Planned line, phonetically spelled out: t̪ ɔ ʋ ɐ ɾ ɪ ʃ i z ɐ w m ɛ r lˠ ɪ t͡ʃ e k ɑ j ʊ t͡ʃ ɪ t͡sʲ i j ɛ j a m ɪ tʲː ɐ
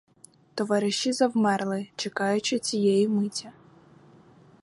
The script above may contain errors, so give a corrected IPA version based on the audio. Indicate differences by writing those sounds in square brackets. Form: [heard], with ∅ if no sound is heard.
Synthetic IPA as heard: t̪ ɔ ʋ [ɑ] ɾ ɪ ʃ i z ɐ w m ɛ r lˠ ɪ t͡ʃ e k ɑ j ʊ t͡ʃ ɪ t͡sʲ i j ɛ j [i] m ɪ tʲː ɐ